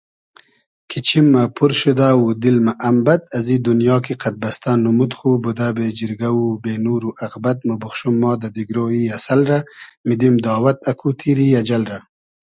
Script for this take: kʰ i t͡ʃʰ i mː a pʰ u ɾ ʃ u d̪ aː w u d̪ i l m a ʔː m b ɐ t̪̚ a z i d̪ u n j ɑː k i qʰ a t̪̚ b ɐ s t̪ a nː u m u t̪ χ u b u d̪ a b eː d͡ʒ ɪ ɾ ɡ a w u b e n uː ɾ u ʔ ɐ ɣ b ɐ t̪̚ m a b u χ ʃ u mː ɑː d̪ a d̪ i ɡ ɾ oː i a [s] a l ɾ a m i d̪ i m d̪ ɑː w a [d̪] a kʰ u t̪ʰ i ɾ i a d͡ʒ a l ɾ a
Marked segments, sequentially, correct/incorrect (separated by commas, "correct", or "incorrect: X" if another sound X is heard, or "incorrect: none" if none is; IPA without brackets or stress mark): correct, incorrect: t̪